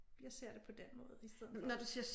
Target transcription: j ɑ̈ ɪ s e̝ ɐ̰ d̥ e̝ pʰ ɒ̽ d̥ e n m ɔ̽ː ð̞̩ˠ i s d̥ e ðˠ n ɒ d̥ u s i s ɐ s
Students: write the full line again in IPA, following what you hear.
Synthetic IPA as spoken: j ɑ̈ ɪ s e̝ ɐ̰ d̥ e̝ pʰ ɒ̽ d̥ e n m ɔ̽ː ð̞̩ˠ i s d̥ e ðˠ n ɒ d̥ u s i ɐ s